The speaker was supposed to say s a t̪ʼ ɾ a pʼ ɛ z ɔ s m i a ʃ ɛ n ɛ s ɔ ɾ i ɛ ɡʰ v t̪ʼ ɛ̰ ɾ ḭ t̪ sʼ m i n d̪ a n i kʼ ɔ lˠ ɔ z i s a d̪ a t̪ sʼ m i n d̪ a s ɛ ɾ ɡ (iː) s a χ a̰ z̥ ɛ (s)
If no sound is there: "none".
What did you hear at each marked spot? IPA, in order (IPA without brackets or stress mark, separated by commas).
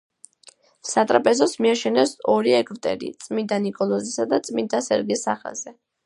i, none